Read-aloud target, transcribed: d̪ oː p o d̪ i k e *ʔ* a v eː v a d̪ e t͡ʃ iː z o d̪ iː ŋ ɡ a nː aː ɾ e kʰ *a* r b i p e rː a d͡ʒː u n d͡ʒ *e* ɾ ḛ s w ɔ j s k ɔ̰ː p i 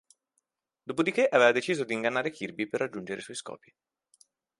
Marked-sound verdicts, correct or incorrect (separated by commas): correct, incorrect, correct